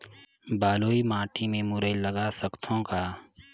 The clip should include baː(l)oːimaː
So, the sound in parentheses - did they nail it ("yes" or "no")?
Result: yes